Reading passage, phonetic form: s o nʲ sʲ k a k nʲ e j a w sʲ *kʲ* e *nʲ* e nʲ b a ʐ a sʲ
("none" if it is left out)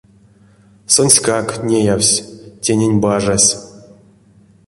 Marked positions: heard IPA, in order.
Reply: tʲ, nʲ

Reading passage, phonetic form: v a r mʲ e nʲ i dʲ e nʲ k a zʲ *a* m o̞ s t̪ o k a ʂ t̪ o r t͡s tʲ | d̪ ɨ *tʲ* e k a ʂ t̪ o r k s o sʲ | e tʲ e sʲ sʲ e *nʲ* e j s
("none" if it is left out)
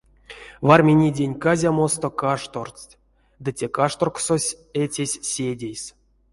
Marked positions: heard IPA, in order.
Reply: a, tʲ, dʲ

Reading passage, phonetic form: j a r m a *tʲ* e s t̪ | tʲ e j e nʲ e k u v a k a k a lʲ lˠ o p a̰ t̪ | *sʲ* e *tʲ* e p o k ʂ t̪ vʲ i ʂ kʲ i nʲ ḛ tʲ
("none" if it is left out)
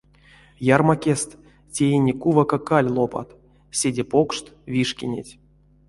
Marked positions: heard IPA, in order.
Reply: kʲ, sʲ, dʲ

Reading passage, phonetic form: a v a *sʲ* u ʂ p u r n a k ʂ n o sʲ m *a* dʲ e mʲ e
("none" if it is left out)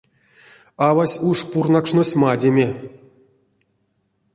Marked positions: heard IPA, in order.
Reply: sʲ, a

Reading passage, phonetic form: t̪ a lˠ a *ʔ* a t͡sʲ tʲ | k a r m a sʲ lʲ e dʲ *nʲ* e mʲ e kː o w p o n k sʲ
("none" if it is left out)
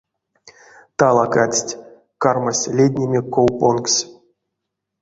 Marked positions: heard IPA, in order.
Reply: k, nʲ

